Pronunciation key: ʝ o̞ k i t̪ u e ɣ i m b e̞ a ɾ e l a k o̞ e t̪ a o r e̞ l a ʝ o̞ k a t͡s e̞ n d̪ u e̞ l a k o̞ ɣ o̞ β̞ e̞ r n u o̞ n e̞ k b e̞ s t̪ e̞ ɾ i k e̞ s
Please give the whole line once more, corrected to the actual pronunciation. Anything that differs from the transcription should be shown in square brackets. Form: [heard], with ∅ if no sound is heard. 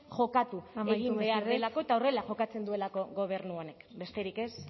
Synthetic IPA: ʝ o̞ k [a] t̪ u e ɣ i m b e̞ a ɾ e l a k o̞ e t̪ a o r e̞ l a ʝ o̞ k a t͡s e̞ n d̪ u e̞ l a k o̞ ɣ o̞ β̞ e̞ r n u o̞ n e̞ k b e̞ s t̪ e̞ ɾ i k e̞ s

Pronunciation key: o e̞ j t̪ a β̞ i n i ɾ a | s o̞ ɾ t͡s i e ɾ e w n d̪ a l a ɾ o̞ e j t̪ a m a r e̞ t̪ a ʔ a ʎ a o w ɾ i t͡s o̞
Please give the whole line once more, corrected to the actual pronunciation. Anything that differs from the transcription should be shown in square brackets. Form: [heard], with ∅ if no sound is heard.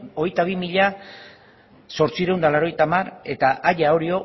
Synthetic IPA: o e̞ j t̪ a β̞ i [m] i [ʎ] a | s o̞ ɾ t͡s i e ɾ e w n d̪ a l a ɾ o̞ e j t̪ a m a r e̞ t̪ a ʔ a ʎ a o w ɾ i [∅] o̞

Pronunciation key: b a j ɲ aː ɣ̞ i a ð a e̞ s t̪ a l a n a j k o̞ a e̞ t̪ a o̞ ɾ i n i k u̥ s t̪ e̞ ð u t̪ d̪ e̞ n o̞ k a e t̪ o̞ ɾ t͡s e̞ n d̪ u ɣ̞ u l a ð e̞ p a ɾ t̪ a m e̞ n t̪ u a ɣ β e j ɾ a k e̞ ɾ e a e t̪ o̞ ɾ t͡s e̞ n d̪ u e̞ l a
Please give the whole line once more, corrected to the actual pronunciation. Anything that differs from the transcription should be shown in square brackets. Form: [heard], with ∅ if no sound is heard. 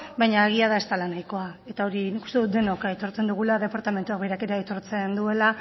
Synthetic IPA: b a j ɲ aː ɣ̞ i a ð a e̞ s t̪ a l a n a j k o̞ a e̞ t̪ a o̞ ɾ i n i k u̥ s t̪ e̞ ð u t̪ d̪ e̞ n o̞ k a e t̪ o̞ ɾ t͡s e̞ n d̪ u ɣ̞ u l a ð e̞ p a ɾ t̪ a m e̞ n t̪ u a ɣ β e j ɾ a k e̞ ɾ e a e t̪ o̞ ɾ t͡s e̞ n d̪ u e̞ l a

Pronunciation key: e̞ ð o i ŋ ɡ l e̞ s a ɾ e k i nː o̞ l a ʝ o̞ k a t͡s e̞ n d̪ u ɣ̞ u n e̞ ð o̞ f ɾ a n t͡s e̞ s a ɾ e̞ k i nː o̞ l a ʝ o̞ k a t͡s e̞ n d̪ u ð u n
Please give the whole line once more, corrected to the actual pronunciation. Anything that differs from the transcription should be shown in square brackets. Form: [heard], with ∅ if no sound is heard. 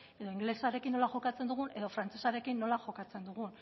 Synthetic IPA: e̞ ð o i ŋ ɡ l e̞ s a ɾ e k i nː o̞ l a ʝ o̞ k a t͡s e̞ n d̪ u ɣ̞ u n e̞ ð o̞ f ɾ a n t͡s e̞ s a ɾ e̞ k i nː o̞ l a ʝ o̞ k a t͡s e̞ n d̪ u [ɣ] u n

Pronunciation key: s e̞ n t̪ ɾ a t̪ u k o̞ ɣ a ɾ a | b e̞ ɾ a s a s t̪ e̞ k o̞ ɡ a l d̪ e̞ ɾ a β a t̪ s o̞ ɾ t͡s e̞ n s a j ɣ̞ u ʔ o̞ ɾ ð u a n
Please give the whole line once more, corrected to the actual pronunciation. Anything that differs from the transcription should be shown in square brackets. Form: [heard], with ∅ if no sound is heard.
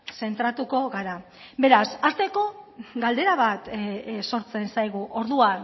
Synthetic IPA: s e̞ n t̪ ɾ a t̪ u k o̞ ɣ a ɾ a | b e̞ ɾ a s a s t̪ e̞ k o̞ ɡ a l d̪ e̞ ɾ a β a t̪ s o̞ ɾ t͡s e̞ n s a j ɣ̞ u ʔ o̞ ɾ ð u a n

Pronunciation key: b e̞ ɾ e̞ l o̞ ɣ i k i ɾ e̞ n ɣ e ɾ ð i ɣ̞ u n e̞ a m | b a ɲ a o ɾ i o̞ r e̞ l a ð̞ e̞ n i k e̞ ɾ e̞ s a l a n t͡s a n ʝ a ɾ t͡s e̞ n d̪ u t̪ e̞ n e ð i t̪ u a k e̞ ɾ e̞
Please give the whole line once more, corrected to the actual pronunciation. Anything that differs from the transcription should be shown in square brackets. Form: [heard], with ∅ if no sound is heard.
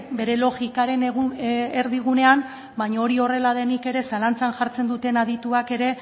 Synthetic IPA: b e̞ ɾ e̞ l o̞ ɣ i k [a] ɾ e̞ n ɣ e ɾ ð i ɣ̞ u n e̞ a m | b a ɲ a o ɾ i o̞ r e̞ l a ð̞ e̞ n i k e̞ ɾ e̞ s a l a n t͡s a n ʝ a ɾ t͡s e̞ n d̪ u t̪ e̞ n [a] ð i t̪ u a k e̞ ɾ e̞

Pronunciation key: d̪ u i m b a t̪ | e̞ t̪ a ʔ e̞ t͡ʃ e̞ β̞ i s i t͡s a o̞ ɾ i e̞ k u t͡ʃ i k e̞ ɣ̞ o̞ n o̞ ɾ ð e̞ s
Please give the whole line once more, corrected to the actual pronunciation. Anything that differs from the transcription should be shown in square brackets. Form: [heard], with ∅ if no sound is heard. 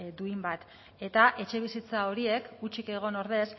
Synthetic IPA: d̪ u i m b a t̪ | e̞ t̪ a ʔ e̞ t͡ʃ e̞ β̞ i s i t͡s a o̞ ɾ i e̞ k u t͡ʃ i k e̞ ɣ̞ o̞ n o̞ ɾ ð e̞ s

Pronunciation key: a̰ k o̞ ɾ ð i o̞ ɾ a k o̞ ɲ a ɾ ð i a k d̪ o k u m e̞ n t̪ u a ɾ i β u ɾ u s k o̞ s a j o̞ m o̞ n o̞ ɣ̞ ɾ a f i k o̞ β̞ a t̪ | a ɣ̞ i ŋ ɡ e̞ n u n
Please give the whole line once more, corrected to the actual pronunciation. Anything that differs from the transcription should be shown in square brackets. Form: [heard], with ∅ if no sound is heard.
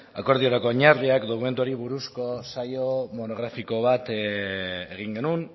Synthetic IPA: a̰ k o̞ ɾ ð i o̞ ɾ a k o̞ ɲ a ɾ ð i a k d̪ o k u m e̞ n t̪ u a ɾ i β u ɾ u s k o̞ s a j o̞ m o̞ n o̞ ɣ̞ ɾ a f i k o̞ β̞ a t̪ | [e] ɣ̞ i ŋ ɡ e̞ n u n

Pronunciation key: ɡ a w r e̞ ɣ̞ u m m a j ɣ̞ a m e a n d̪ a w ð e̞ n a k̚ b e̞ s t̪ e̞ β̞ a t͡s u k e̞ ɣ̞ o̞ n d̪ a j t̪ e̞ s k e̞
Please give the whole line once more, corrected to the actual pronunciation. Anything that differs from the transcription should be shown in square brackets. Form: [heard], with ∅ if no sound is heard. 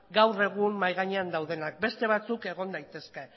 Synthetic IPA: ɡ a w r e̞ ɣ̞ u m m a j ɣ̞ a [ɲ] e a n d̪ a w ð e̞ n a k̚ b e̞ s t̪ e̞ β̞ a t͡s u k e̞ ɣ̞ o̞ n d̪ a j t̪ e̞ s k e̞

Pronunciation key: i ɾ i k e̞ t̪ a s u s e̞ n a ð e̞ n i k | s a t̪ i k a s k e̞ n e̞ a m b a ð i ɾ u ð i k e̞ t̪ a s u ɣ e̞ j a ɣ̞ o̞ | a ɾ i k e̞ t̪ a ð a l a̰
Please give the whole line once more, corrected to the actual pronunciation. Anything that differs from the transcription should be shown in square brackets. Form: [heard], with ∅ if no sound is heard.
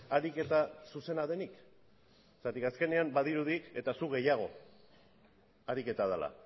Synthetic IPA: [a] ɾ i k e̞ t̪ a s u s e̞ n a ð e̞ n i k | s a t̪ i k a s k e̞ n e̞ a m b a ð i ɾ u ð i k e̞ t̪ a s u ɣ e̞ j a ɣ̞ o̞ | a ɾ i k e̞ t̪ a ð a l a̰

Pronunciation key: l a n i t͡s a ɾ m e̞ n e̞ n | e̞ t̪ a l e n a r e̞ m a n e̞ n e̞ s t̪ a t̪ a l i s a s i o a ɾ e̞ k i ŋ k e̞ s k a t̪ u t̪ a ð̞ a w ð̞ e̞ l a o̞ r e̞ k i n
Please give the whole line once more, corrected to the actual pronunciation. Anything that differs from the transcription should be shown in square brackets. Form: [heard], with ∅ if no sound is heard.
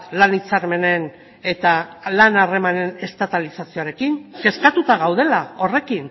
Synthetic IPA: l a n i t͡s a ɾ m e̞ n e̞ n | e̞ t̪ a l [a] n a r e̞ m a n e̞ n e̞ s t̪ a t̪ a l i s a s i o a ɾ e̞ k i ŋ k e̞ s k a t̪ u t̪ a [ɣ̞] a w ð̞ e̞ l a o̞ r e̞ k i n

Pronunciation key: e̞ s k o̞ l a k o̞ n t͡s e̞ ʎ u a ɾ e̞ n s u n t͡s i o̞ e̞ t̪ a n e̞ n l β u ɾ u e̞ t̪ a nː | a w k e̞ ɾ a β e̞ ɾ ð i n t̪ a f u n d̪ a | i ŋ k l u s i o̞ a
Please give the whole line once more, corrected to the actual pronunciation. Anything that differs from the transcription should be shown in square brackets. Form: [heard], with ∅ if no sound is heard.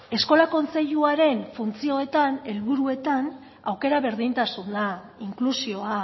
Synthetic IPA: e̞ s k o̞ l a k o̞ n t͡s e̞ ʎ u a ɾ e̞ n [f] u n t͡s i o̞ e̞ t̪ a n e̞ [∅] l β u ɾ u e̞ t̪ a [n] | a w k e̞ ɾ a β e̞ ɾ ð i n t̪ a [s] u n d̪ a | i ŋ k l u s i o̞ a

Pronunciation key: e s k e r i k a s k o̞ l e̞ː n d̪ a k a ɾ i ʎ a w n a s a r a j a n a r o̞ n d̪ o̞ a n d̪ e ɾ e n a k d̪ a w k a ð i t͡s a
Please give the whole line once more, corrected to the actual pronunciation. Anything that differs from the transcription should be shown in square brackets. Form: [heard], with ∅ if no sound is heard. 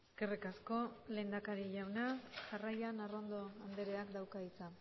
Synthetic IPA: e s k e r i k a s k o̞ l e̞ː n d̪ a k a ɾ i ʎ a w n a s a r a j a n a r o̞ n d̪ o̞ a n d̪ e ɾ e [∅] a k d̪ a w k a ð i t͡s a

